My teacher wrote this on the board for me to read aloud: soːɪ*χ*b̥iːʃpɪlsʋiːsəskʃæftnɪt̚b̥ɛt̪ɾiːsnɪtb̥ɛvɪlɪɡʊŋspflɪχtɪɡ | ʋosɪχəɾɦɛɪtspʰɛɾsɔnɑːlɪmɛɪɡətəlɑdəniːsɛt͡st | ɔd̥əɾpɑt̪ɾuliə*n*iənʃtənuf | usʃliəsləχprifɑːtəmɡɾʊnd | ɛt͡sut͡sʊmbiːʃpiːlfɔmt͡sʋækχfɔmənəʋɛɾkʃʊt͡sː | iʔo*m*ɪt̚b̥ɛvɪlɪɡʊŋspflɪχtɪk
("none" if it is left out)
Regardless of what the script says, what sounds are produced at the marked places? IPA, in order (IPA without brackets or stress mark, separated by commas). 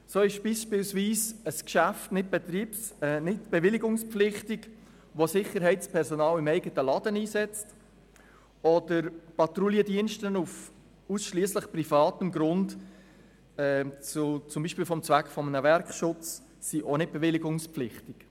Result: ʃ, d, n